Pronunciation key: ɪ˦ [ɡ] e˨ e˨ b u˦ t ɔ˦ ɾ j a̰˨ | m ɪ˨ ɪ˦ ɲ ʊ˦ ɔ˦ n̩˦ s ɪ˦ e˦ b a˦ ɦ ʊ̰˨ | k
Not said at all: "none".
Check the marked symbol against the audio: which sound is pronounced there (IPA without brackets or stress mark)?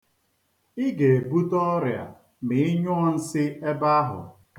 ɡ